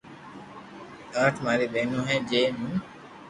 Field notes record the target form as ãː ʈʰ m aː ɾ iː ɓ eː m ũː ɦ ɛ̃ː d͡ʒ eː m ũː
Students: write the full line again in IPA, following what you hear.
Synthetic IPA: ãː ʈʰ m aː ɾ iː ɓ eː n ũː ɦ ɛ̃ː d͡ʒ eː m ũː